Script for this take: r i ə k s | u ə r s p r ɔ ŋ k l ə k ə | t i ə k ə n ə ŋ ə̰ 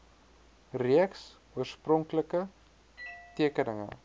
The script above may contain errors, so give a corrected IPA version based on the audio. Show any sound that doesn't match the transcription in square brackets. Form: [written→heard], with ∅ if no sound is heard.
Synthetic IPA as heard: r i ə k s | u ə r s p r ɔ ŋ k l ə k ə | t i ə k ə n ə ŋ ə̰